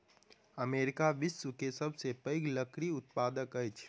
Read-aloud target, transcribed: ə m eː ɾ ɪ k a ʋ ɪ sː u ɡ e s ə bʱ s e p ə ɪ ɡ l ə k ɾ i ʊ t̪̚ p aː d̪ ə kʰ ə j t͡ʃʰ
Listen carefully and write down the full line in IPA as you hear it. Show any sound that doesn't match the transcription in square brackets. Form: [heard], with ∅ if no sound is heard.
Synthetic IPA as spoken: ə m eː ɾ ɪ k a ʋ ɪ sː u [k] e s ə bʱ s e p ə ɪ ɡ l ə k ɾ i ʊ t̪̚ p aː d̪ ə [k] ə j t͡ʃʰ